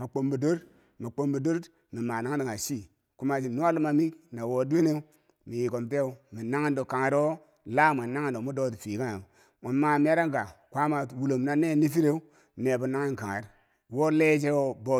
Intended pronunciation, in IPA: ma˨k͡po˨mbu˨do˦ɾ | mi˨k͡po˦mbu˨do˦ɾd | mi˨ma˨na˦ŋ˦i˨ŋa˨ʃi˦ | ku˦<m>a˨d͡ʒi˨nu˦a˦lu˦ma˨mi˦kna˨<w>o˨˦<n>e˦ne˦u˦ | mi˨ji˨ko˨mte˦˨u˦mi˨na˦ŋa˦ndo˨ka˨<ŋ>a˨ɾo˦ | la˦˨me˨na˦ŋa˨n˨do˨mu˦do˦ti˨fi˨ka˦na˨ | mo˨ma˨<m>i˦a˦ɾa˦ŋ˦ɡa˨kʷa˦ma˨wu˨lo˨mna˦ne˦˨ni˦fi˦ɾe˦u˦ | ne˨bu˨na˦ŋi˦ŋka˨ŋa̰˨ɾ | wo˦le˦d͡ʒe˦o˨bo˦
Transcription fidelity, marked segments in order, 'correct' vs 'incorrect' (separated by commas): correct, correct, incorrect, correct, correct